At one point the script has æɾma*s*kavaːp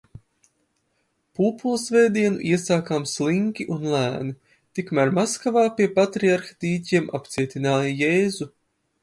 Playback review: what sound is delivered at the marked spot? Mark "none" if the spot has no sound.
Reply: s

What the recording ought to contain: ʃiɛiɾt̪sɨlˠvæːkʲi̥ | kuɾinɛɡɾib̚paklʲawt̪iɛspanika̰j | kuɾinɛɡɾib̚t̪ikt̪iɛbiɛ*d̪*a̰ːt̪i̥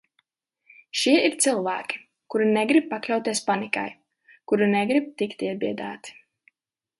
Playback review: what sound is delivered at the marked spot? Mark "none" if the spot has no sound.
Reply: d̪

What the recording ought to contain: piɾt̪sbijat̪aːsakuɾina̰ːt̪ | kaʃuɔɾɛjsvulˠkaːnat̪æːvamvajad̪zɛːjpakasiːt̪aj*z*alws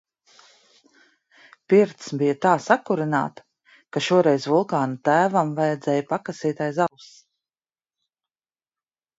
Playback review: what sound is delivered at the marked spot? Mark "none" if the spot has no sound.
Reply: z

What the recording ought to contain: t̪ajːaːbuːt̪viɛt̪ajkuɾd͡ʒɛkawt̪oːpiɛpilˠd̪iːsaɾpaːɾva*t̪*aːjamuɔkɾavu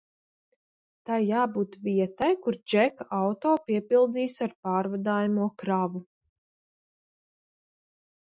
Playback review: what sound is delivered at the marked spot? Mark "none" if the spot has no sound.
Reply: d̪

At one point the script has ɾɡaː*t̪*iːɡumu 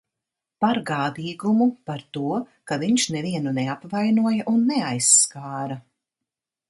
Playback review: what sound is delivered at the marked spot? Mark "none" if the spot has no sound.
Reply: d̪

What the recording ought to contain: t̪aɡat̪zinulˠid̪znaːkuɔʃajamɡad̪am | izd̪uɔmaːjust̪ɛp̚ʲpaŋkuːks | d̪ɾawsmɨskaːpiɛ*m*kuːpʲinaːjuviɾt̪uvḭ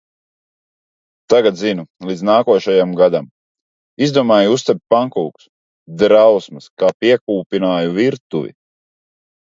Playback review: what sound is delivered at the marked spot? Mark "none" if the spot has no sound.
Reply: none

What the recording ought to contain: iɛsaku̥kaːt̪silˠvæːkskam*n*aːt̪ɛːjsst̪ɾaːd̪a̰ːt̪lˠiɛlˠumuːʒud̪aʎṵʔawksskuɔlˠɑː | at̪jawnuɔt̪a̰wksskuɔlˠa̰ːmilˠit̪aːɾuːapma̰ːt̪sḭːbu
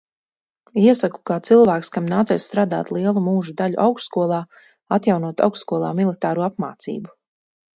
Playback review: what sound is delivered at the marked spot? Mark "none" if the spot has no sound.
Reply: n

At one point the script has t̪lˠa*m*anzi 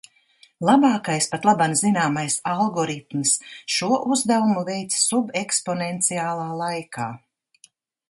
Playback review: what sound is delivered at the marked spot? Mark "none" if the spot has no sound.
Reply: b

